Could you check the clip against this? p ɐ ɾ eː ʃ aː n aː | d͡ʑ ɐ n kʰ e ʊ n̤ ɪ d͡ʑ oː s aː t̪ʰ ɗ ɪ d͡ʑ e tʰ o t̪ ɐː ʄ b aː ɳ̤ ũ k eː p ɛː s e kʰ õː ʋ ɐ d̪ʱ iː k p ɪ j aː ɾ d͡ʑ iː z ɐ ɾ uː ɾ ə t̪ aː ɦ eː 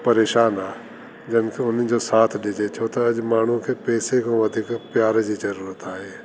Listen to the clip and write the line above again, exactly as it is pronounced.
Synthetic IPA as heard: p ɐ ɾ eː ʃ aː n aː | d͡ʑ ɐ n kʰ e ʊ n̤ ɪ d͡ʑ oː s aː t̪ʰ ɗ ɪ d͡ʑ e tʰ o t̪ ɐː ʄ m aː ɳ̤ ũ kʰ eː p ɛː s e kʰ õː ʋ ɐ d̪ʱ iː k p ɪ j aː ɾ d͡ʑ iː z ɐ ɾ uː ɾ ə t̪ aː ɦ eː